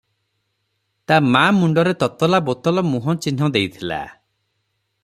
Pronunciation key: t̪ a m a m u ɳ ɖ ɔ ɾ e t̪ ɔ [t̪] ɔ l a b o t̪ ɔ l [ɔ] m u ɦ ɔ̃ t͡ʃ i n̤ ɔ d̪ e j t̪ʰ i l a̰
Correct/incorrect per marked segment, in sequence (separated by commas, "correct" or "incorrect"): correct, correct